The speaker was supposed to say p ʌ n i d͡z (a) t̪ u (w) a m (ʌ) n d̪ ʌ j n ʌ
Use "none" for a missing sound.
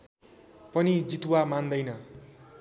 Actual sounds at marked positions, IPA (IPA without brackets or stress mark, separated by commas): i, w, a